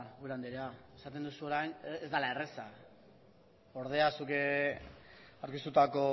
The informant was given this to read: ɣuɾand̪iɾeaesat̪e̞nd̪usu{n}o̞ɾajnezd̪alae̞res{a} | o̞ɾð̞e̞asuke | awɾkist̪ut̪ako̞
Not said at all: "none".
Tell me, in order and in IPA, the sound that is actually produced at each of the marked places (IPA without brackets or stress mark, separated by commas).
none, a